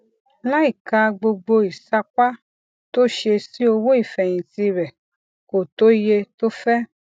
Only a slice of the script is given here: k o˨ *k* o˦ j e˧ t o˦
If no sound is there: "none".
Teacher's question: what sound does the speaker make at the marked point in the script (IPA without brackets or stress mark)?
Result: t